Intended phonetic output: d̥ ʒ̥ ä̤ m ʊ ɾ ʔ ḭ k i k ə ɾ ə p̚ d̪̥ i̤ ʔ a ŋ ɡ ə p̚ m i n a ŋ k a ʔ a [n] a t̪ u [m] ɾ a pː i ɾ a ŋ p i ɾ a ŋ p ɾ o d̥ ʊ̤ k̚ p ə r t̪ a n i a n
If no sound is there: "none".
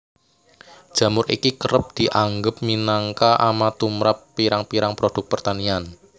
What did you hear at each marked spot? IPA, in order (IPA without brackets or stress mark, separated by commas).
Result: m, m